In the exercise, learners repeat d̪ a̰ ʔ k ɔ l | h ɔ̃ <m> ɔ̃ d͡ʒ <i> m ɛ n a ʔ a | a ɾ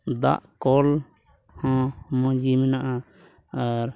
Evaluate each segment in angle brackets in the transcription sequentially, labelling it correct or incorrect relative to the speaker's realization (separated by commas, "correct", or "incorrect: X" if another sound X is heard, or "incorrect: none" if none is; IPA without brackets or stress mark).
correct, correct